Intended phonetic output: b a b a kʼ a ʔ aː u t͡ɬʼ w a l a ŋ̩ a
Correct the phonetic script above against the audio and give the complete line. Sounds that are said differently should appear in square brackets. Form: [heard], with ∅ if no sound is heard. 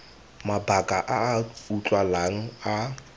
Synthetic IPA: [m] a b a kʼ a ʔ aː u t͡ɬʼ w a l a ŋ̩ a